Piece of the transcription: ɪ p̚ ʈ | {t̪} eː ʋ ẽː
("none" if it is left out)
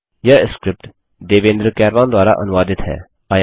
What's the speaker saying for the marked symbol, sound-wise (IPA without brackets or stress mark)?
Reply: d̪